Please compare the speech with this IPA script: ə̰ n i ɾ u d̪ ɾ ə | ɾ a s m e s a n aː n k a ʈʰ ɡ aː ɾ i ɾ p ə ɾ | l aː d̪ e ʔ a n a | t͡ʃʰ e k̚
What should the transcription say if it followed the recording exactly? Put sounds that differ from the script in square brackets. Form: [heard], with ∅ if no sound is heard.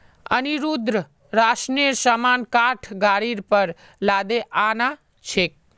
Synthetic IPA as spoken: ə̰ n i ɾ u d̪ ɾ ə | ɾ a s [n] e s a [m] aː n k a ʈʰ ɡ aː ɾ i ɾ p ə ɾ | l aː d̪ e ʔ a n a | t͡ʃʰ e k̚